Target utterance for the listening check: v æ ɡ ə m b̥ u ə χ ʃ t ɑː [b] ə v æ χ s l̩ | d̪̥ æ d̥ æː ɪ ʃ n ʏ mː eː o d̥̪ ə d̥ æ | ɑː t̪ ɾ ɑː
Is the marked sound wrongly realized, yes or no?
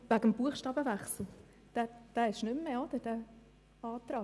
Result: no